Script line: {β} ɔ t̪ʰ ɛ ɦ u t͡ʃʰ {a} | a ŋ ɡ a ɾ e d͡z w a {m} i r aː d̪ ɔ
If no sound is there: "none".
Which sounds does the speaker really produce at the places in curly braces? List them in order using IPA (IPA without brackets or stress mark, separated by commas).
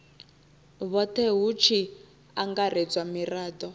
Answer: β, i, m